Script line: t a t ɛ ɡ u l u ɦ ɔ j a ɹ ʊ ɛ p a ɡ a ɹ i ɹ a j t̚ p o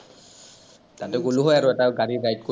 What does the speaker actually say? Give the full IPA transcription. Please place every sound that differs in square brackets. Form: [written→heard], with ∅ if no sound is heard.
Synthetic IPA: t a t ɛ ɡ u l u ɦ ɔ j a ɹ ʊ ɛ [p→t] a ɡ a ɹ i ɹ a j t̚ [p→k] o